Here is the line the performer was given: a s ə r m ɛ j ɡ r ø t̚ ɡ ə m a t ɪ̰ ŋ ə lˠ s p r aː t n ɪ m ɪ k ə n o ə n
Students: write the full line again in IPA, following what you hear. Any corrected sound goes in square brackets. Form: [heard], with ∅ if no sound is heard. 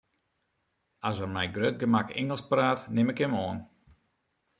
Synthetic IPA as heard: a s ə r m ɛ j ɡ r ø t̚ ɡ ə m a [k] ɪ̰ ŋ ə lˠ s p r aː t n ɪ m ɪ k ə [m] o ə n